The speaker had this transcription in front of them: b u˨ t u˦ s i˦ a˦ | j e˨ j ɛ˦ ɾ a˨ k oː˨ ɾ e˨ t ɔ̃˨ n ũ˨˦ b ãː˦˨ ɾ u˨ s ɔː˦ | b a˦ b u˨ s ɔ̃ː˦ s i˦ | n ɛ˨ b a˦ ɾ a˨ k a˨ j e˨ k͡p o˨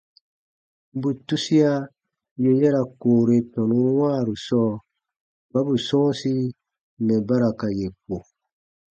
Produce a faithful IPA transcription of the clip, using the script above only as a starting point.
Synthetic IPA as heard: b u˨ t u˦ s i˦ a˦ | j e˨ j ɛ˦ ɾ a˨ k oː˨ ɾ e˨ t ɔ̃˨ n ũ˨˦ w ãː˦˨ ɾ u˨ s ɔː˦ | b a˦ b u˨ s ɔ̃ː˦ s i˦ | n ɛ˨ b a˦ ɾ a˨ k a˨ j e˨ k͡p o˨